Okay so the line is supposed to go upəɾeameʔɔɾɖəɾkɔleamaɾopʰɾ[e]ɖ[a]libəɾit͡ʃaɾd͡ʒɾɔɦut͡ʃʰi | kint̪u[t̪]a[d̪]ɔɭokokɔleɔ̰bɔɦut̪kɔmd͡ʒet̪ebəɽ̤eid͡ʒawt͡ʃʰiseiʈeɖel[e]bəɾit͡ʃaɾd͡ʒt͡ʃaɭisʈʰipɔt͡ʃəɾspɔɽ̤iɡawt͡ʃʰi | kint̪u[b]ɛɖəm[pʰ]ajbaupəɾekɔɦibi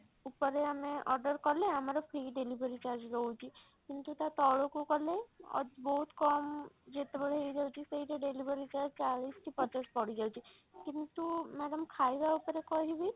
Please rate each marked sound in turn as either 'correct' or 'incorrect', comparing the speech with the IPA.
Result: incorrect: i, incorrect: e, correct, incorrect: t̪, incorrect: i, incorrect: m, incorrect: kʰ

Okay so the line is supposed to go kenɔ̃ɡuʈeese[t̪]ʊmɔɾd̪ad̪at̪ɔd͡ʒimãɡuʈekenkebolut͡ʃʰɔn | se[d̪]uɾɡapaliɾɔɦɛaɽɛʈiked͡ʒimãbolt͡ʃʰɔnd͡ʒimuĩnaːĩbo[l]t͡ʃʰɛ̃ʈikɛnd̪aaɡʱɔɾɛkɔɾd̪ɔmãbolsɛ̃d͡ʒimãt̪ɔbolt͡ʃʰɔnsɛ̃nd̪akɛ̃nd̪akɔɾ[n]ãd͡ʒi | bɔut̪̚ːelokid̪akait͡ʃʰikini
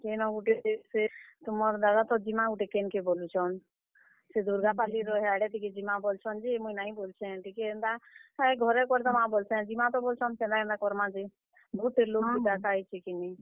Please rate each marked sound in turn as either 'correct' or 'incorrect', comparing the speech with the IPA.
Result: correct, correct, correct, incorrect: m

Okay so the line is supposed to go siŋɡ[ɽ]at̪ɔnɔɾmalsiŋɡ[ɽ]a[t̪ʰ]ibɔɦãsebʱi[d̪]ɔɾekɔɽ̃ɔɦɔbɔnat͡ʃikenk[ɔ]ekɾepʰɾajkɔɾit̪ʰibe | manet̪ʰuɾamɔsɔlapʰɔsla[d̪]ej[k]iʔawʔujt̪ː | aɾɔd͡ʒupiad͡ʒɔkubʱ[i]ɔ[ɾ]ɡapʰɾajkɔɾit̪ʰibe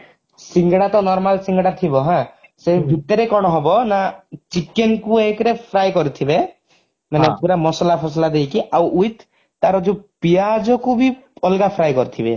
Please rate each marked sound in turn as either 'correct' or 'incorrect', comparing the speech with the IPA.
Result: correct, correct, correct, incorrect: t̪, incorrect: u, correct, correct, correct, incorrect: l

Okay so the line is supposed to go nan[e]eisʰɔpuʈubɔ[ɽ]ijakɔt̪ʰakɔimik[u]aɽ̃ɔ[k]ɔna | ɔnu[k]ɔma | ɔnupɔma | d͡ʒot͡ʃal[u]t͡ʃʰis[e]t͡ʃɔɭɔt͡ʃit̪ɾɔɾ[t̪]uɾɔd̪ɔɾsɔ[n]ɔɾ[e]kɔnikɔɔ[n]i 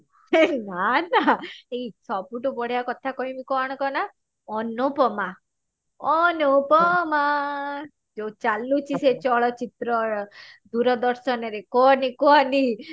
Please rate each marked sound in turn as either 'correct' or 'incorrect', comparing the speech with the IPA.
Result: incorrect: a, correct, incorrect: ɔ, correct, incorrect: p, correct, correct, incorrect: d̪, correct, correct, correct

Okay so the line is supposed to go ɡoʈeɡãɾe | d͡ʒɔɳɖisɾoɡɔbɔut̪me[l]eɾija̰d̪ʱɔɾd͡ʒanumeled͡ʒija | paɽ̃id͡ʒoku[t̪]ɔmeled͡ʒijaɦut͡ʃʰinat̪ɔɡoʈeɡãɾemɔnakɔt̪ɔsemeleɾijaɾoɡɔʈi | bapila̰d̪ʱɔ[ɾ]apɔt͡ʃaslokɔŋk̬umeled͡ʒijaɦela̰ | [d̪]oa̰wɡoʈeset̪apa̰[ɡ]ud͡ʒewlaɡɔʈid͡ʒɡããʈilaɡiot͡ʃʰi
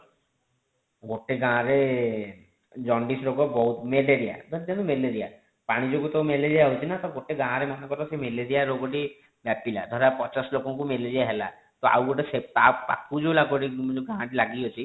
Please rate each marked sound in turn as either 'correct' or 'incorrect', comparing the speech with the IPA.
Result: correct, correct, correct, incorrect: t̪, incorrect: k

